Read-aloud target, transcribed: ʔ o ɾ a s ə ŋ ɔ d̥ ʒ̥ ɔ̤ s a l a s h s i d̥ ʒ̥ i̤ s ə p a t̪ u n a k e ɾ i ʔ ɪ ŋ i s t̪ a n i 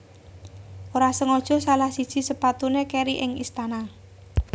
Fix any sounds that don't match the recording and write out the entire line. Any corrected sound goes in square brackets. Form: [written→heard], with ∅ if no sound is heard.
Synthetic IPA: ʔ o ɾ a s ə ŋ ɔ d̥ ʒ̥ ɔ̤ s a l a [s→∅] h s i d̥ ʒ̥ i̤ s ə p a t̪ u n [a→e] k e ɾ i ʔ ɪ ŋ i s t̪ a n [i→a]